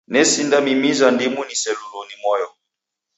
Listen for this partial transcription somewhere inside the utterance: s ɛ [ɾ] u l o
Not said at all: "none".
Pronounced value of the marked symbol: l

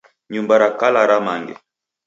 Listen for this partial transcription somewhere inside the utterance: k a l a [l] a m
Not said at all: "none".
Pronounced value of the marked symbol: ɾ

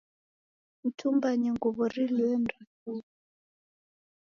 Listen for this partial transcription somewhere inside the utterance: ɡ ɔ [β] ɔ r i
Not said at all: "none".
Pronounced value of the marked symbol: β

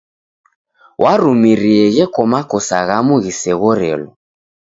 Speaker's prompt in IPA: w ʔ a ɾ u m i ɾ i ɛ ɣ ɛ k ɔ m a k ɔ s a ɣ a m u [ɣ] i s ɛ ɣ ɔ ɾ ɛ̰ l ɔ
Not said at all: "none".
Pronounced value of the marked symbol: ɣ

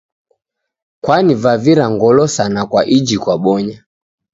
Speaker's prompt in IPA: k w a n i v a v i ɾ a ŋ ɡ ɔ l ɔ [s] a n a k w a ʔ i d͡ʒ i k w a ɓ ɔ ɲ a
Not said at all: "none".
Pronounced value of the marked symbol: s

